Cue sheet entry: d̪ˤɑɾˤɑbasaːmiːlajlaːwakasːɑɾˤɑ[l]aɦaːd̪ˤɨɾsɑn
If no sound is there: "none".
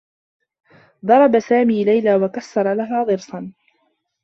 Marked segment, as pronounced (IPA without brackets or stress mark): l